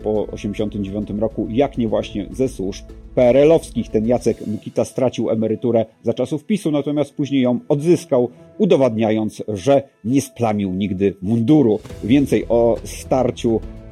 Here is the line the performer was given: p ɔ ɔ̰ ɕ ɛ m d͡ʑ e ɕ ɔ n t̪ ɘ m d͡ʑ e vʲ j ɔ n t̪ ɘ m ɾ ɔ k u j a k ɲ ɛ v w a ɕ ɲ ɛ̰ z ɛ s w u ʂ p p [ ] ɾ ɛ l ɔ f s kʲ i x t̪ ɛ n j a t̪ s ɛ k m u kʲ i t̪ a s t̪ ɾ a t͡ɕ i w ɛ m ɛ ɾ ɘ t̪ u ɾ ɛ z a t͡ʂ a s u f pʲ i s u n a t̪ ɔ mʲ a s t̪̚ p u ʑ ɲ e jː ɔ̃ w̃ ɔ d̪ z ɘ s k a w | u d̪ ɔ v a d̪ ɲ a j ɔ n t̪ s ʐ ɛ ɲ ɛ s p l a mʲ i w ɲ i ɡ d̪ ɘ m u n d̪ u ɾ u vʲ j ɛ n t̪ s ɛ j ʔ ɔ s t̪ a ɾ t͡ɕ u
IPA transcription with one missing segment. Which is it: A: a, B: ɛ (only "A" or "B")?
B